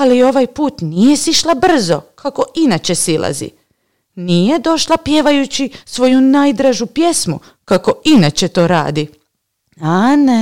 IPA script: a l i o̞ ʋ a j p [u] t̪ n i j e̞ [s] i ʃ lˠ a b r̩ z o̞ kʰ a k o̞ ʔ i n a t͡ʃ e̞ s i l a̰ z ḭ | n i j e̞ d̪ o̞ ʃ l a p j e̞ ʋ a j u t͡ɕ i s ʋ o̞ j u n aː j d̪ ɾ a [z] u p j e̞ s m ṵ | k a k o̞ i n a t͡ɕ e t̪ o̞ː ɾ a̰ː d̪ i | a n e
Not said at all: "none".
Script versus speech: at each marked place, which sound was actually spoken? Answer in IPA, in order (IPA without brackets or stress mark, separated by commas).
uː, s, ʒ